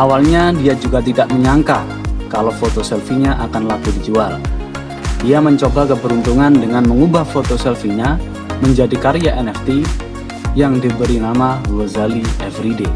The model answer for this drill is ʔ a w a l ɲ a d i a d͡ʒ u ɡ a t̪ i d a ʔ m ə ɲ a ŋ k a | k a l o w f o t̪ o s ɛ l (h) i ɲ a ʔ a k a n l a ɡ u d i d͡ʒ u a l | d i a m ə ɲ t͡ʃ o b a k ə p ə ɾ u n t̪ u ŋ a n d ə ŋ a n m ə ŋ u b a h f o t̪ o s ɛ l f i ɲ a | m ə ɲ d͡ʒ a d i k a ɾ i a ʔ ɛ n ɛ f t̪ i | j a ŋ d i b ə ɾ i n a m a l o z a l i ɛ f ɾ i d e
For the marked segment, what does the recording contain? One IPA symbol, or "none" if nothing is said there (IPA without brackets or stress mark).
f